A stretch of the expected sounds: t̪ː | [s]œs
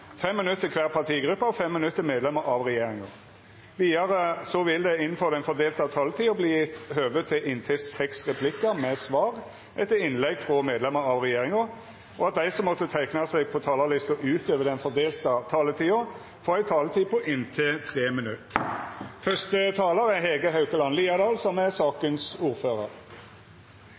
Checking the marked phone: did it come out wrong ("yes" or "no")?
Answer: yes